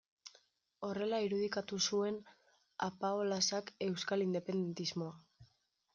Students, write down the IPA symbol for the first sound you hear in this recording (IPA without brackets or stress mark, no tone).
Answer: o̞